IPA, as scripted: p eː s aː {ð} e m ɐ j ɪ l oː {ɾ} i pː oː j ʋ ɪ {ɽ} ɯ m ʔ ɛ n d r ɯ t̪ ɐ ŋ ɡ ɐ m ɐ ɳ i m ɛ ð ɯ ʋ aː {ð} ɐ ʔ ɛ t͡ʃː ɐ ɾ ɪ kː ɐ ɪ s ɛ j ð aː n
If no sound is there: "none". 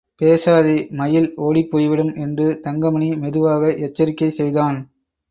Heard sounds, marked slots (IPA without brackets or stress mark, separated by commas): ð, ɽ, ɽ, ɣ